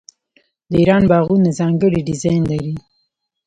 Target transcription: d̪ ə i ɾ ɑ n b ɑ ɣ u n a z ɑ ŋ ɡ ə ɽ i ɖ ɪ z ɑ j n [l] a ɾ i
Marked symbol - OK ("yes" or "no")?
yes